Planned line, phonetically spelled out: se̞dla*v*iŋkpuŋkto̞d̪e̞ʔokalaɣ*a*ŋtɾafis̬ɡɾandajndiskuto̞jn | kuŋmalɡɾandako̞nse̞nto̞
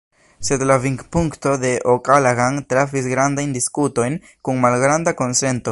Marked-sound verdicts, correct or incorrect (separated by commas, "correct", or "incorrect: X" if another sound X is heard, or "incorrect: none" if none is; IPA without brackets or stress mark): correct, correct